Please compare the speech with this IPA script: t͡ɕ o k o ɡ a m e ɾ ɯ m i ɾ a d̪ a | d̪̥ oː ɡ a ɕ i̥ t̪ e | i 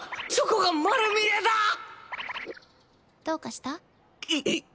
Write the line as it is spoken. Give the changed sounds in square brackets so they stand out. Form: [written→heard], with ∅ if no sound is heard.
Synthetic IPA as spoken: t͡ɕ o k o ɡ a m [e→a] ɾ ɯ m i ɾ [a→e] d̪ a | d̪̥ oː [ɡ→k] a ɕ i̥ t̪ [e→a] | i